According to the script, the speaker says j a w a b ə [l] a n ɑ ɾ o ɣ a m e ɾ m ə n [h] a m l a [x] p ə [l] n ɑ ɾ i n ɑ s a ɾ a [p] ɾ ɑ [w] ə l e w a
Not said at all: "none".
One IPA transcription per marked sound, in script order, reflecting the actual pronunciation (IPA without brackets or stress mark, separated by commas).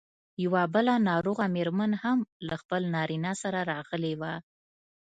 l, h, x, l, none, ɣ